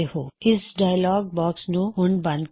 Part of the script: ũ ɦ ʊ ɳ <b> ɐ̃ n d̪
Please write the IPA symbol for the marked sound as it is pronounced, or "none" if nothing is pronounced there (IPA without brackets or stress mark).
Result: b